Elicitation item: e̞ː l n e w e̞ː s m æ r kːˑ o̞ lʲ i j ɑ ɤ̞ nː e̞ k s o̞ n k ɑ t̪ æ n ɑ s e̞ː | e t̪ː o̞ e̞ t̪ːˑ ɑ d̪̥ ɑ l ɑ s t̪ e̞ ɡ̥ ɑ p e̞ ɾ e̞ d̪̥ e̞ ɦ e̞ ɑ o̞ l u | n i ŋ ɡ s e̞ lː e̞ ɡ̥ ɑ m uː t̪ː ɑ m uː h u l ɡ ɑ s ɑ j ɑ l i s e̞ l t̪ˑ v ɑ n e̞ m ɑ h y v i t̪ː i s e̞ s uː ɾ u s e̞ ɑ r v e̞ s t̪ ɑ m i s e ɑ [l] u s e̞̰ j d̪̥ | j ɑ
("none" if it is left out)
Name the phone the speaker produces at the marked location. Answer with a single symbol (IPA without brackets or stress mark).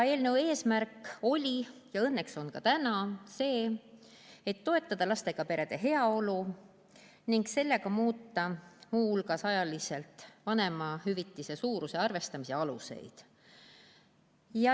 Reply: l